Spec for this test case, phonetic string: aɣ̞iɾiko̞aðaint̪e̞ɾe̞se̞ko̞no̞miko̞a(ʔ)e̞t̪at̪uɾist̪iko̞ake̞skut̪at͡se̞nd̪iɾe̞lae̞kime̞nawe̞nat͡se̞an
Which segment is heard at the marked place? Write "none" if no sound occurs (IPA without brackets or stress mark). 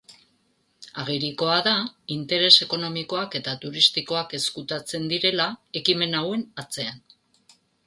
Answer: k